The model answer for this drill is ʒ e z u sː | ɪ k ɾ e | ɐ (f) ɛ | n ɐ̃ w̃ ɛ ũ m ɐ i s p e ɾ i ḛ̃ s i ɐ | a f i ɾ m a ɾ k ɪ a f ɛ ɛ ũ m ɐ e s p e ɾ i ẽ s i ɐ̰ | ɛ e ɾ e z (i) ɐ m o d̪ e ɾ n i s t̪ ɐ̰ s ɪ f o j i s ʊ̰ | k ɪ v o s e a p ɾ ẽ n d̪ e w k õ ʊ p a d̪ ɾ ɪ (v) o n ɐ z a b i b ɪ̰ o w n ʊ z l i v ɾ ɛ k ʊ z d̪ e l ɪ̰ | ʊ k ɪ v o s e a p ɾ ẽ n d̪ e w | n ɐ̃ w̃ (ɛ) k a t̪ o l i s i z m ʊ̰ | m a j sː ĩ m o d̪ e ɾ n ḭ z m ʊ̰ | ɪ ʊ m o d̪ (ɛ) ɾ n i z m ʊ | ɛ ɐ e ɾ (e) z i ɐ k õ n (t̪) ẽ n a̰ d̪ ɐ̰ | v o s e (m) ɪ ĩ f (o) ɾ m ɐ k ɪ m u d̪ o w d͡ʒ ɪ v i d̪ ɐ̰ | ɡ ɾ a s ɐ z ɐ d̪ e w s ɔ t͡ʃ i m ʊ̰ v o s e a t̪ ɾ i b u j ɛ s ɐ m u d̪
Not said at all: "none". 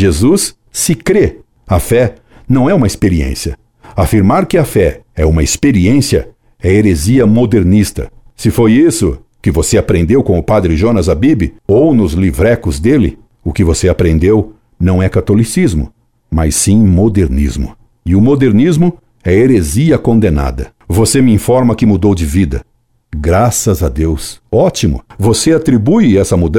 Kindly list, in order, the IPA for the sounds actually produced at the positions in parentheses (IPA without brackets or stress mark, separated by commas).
f, i, ʒ, ɛ, e, e, d̪, m, ɔ